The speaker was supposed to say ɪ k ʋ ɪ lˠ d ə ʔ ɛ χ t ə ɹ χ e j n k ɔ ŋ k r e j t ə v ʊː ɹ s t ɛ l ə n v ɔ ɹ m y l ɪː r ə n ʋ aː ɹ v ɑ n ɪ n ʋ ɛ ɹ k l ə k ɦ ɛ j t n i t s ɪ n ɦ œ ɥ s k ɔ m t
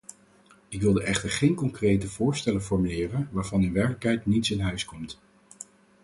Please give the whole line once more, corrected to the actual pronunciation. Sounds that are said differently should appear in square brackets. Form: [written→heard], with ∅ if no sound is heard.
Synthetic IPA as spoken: ɪ k ʋ ɪ lˠ d ə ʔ ɛ χ t ə ɹ χ e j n k ɔ ŋ k r e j t ə v ʊː ɹ s t ɛ l ə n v ɔ ɹ m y l ɪː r ə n ʋ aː ɹ v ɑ n ɪ n ʋ ɛ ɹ k l ə k ɦ ɛ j t n i t s ɪ n ɦ œ ɥ s k ɔ m t